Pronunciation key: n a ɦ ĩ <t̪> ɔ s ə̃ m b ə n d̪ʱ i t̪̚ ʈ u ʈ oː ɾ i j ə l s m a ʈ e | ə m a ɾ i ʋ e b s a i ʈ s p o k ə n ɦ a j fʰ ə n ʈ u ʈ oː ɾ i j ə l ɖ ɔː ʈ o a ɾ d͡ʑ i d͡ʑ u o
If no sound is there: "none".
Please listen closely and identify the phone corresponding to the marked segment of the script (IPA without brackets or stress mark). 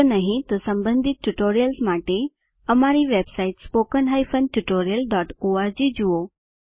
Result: t̪